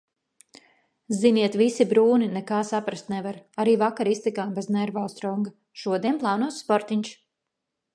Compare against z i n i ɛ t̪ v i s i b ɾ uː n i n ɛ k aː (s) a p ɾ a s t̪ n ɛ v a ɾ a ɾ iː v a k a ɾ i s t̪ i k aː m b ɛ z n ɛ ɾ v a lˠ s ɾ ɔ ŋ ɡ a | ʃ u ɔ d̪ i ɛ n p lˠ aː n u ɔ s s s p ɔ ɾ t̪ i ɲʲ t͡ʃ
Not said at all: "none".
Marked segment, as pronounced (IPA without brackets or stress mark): s